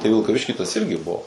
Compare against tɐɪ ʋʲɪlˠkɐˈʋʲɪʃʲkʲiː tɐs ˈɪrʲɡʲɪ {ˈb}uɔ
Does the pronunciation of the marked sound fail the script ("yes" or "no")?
no